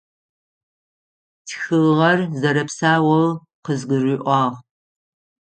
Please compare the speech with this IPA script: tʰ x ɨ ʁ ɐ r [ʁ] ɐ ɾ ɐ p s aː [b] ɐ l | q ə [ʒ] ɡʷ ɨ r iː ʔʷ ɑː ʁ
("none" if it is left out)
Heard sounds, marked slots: z, w, z

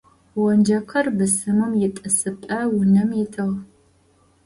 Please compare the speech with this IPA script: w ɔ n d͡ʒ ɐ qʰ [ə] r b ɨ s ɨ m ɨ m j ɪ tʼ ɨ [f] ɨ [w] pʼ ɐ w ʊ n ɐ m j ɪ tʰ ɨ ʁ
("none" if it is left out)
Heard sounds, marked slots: ɐ, s, none

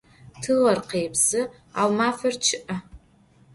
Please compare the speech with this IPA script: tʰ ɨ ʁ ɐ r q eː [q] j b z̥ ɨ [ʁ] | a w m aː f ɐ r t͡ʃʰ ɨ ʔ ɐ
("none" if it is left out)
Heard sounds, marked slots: none, none

